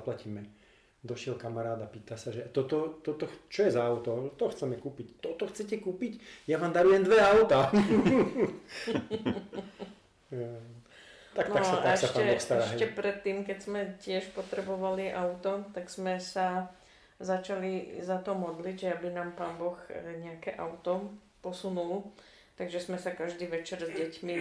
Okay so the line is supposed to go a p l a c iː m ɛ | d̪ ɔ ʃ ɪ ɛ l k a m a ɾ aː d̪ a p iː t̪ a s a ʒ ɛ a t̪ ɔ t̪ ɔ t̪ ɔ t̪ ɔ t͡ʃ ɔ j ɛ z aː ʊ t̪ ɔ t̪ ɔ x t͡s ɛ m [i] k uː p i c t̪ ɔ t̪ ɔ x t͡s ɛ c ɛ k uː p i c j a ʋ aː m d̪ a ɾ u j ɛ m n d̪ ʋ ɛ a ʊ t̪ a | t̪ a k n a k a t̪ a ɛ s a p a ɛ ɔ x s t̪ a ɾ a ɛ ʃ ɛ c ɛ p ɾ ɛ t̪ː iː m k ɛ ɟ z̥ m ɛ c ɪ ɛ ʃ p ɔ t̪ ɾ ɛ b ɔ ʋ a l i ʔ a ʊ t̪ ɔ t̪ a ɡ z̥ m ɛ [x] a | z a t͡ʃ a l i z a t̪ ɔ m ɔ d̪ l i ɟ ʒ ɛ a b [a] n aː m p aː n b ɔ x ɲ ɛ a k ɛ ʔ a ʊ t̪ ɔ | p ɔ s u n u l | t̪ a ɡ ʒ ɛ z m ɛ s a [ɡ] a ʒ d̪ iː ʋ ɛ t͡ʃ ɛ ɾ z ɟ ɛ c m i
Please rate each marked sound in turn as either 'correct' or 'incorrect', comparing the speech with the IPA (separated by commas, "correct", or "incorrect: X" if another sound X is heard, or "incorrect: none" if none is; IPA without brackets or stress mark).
incorrect: ɛ, incorrect: s, incorrect: i, incorrect: k